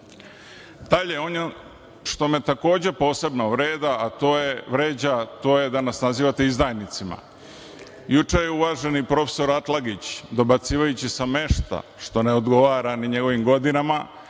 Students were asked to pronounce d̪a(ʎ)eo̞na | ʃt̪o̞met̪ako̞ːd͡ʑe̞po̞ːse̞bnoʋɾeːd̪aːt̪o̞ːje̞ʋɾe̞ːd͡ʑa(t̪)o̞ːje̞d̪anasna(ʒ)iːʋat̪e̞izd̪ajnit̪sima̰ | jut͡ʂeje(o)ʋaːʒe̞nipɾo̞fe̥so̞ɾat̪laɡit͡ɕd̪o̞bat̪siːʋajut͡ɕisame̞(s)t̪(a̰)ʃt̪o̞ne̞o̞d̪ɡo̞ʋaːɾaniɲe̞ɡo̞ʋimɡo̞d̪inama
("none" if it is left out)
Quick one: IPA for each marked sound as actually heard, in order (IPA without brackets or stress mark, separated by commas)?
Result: ʎ, t̪, z, u, ʃ, a̰